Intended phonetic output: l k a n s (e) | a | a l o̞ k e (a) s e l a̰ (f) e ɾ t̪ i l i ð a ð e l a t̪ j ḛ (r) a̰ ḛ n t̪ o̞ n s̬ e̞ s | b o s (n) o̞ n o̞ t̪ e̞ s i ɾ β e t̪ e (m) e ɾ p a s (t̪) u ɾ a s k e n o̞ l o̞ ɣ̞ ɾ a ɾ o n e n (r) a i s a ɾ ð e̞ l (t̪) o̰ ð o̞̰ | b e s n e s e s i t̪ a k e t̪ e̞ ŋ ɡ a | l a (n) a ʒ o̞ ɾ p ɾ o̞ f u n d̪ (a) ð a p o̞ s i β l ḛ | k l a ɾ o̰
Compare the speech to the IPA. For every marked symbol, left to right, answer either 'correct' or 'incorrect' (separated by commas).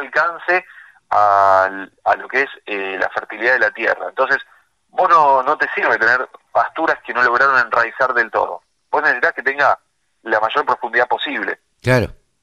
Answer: correct, incorrect, correct, correct, correct, incorrect, correct, correct, correct, incorrect, incorrect